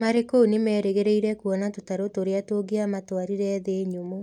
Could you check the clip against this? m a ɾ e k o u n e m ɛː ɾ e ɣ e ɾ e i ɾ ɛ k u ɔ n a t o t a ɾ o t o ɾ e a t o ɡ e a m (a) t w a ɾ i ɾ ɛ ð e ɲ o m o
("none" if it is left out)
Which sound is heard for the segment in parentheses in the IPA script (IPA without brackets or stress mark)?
a